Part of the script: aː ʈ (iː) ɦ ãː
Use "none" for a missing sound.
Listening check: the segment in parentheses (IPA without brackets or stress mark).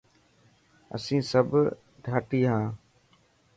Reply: iː